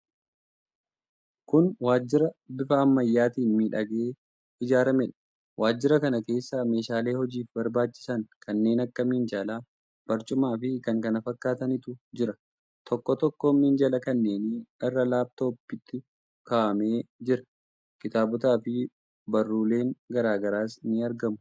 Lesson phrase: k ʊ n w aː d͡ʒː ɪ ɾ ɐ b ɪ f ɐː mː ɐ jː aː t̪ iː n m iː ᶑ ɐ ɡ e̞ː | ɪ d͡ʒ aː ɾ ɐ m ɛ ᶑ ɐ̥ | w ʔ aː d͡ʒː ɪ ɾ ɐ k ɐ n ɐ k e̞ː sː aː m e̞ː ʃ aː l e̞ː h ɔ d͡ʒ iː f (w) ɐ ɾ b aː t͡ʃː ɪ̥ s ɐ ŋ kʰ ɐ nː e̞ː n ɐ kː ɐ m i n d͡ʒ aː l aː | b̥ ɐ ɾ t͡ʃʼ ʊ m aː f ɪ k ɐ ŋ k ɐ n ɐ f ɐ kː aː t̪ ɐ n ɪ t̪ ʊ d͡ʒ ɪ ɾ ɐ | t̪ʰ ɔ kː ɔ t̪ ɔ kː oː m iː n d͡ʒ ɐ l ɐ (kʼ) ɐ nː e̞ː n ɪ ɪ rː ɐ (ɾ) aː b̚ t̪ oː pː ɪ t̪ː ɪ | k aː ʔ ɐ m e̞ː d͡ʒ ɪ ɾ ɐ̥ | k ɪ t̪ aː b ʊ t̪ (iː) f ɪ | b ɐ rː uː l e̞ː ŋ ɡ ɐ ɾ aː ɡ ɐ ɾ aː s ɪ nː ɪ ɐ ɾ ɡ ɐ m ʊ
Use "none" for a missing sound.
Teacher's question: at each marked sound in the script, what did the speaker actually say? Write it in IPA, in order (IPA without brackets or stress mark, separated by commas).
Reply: b, k, l, aː